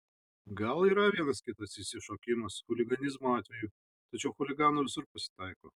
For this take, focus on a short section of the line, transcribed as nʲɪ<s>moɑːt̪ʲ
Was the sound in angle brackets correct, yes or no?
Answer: no